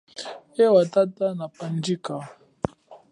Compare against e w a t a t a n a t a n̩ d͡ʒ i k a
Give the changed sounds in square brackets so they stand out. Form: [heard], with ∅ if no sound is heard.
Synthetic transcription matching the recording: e w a t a t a n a [p] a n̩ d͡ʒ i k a